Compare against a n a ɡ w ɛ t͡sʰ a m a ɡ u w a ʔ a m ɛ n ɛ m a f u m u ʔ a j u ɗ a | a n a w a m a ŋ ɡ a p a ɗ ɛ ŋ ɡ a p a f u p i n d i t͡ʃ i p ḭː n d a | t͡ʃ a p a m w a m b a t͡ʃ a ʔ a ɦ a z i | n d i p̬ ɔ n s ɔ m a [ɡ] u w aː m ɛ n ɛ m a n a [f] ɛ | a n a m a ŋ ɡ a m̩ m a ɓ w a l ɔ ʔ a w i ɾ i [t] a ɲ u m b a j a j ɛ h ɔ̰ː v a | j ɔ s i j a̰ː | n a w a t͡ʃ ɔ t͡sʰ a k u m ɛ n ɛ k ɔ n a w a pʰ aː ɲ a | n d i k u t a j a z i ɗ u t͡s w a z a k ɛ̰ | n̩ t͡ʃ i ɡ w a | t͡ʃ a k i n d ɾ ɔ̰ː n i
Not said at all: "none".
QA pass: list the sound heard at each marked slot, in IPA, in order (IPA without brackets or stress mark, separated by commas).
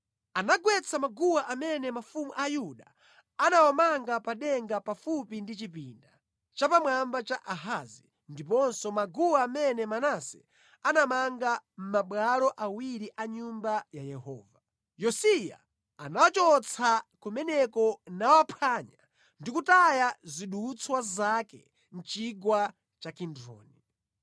ɡ, s, ʔ